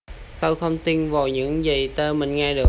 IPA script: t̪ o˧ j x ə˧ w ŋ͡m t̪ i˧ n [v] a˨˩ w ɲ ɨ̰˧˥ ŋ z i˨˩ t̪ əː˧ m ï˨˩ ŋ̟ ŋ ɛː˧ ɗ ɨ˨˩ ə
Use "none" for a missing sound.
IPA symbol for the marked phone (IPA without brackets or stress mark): v